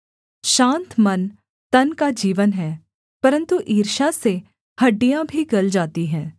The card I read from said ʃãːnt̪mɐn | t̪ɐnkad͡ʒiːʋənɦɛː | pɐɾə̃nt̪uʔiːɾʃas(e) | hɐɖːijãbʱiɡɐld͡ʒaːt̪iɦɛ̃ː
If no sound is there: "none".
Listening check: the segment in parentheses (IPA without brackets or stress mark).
e